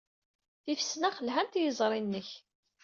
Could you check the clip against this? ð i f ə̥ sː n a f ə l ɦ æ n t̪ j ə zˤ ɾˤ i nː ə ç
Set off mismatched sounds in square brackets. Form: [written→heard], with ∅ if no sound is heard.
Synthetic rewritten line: [ð→θ] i f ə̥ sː n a [f→χ] ə l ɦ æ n t̪ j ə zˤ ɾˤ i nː ə ç